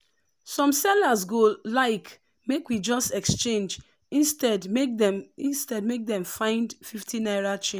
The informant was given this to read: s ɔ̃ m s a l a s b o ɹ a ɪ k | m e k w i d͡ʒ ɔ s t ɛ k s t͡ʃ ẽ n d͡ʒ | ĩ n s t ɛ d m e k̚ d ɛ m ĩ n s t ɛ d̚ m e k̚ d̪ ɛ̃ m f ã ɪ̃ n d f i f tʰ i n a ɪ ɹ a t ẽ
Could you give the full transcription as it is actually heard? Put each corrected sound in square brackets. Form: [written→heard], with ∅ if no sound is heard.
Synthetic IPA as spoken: s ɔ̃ m s [a→ɛ] l a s [b→ɡ] o [ɹ→l] a ɪ k | m e k w i d͡ʒ ɔ s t ɛ k s t͡ʃ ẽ n d͡ʒ | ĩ n s t ɛ d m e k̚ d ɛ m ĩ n s t ɛ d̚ m e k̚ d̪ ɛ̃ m f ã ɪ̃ n d f i f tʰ i n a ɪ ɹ a [t→t͡ʃ] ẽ